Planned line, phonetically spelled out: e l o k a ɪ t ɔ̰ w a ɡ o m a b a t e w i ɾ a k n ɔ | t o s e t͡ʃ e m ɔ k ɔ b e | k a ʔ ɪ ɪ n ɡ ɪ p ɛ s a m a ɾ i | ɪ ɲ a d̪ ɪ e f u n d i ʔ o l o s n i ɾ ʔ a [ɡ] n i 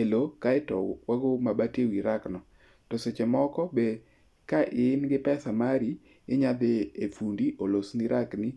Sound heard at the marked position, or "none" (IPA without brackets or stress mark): k